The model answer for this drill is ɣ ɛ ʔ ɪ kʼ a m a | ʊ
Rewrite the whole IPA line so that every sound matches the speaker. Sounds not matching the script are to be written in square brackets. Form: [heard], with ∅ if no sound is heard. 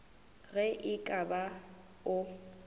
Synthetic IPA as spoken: ɣ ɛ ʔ ɪ kʼ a [b] a | ʊ